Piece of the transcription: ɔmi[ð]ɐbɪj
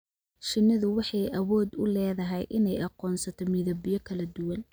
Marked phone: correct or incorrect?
correct